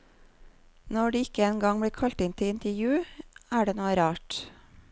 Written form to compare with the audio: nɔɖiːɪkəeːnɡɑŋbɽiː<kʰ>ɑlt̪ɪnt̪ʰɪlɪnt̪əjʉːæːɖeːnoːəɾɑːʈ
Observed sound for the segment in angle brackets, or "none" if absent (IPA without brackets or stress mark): kʰ